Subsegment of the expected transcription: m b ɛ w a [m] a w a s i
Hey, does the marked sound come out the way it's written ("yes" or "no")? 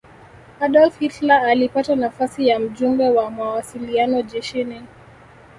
yes